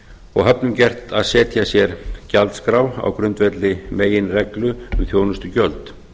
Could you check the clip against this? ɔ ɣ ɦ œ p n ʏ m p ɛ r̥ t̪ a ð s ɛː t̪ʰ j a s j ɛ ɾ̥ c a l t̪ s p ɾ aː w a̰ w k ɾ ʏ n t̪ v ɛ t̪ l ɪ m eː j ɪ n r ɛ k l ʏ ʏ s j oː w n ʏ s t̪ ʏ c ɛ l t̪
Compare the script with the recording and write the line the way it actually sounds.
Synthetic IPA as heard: ɔ ɣ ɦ œ p n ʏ m c ɛ r̥ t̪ a ð s ɛː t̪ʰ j a s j ɛ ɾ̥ c a l t̪ s k ɾ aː w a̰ w k ɾ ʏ n t̪ v ɛ t̪ l ɪ m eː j ɪ n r ɛ k l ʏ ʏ θ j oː w n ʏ s t̪ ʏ c œ l t̪